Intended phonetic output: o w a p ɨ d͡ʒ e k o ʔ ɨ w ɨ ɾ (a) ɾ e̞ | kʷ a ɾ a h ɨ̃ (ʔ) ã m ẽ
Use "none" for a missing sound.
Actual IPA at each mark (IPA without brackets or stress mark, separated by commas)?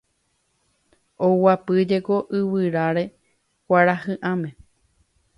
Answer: a, ʔ